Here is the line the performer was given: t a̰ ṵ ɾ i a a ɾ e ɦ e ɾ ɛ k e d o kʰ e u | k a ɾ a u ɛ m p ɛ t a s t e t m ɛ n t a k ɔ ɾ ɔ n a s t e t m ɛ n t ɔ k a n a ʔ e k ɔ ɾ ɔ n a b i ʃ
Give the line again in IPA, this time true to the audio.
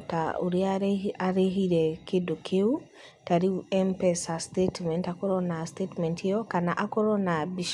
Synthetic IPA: t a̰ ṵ ɾ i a a ɾ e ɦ i ɾ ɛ k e d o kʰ e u | t a ɾ i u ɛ m p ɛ s a s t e t m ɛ n t a k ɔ ɾ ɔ n a s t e t m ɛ n t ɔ k a n a ʔ a k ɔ ɾ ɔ n a b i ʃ